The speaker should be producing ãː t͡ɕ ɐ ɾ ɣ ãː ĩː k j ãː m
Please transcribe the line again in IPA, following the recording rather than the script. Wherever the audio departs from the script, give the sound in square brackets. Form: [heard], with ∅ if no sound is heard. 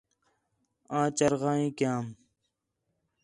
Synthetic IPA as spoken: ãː t͡ɕ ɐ ɾ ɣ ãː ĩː k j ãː m